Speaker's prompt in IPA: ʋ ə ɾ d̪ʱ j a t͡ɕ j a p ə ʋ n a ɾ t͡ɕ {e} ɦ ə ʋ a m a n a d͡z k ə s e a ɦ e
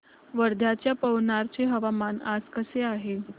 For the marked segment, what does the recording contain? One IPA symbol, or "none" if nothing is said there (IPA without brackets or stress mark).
e